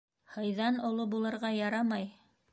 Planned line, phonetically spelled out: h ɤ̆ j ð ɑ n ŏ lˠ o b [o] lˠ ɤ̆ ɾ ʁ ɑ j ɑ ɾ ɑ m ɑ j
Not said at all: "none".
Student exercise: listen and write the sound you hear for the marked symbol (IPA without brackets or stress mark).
u